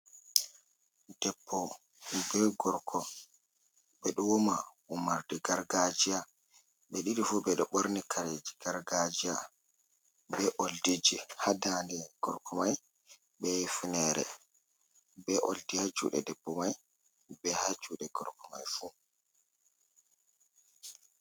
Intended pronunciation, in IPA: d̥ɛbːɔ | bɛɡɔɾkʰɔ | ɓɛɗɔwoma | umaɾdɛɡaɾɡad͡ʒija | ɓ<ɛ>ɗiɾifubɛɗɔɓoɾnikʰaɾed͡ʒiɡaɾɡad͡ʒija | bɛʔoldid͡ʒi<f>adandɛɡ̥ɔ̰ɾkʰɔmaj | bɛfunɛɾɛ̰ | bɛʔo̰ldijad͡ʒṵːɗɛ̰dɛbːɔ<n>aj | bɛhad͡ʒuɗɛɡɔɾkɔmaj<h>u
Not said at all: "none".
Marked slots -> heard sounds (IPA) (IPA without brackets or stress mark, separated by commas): ɛ, h, m, f